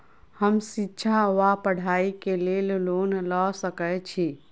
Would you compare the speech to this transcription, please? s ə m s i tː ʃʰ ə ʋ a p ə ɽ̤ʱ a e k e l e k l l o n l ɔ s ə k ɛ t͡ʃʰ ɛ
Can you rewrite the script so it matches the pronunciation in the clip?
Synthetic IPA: h ə m s i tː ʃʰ a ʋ a p ə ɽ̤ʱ a i k e l e l l o n l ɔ s ə k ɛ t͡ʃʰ i